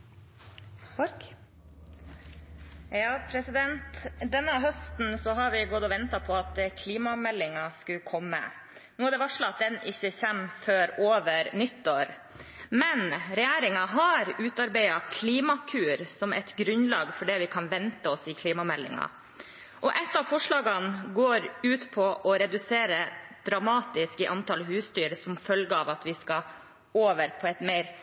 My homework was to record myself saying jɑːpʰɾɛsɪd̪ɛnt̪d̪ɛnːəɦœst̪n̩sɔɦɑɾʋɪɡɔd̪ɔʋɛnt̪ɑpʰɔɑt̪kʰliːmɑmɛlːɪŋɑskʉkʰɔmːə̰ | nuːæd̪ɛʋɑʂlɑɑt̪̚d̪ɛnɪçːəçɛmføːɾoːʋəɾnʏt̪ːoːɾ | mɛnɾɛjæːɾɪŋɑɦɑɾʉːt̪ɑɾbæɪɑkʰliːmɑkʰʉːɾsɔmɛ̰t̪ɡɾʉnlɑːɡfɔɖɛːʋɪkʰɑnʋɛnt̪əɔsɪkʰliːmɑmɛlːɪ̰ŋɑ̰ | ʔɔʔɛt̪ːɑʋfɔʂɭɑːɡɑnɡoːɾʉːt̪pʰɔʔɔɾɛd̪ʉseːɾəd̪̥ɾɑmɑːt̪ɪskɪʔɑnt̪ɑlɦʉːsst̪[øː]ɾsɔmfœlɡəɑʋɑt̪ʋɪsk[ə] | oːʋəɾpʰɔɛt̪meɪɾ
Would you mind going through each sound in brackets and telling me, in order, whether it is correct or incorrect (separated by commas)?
incorrect, incorrect